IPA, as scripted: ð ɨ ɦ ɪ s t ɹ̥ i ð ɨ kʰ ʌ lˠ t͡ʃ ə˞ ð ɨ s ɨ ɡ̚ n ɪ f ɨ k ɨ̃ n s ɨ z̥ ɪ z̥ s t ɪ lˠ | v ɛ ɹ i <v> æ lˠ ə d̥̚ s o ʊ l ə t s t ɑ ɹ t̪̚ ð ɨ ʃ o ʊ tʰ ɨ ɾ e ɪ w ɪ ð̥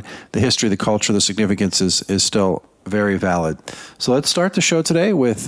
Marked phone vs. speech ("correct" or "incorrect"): correct